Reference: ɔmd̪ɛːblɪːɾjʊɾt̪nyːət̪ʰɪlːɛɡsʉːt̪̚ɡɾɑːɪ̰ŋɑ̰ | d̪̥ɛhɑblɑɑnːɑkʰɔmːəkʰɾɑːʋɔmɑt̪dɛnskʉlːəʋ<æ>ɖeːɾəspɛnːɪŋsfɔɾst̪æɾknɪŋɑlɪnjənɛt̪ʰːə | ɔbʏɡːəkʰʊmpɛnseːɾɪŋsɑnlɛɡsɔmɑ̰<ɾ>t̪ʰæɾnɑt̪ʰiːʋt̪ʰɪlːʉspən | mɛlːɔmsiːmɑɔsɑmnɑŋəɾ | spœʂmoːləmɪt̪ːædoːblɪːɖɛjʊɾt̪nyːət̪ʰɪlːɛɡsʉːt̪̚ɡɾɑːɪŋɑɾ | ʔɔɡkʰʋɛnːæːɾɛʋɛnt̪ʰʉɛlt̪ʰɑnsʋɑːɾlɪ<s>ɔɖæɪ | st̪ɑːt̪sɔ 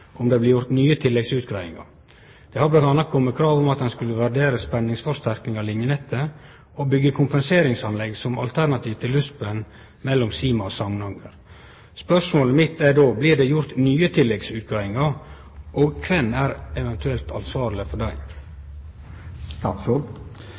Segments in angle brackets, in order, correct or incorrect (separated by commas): correct, incorrect, incorrect